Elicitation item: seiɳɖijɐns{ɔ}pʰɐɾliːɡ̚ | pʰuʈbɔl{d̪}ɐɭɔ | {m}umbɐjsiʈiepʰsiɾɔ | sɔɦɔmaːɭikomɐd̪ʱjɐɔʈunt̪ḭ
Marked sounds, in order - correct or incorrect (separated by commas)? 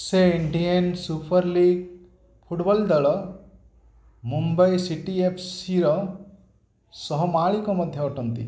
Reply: incorrect, correct, correct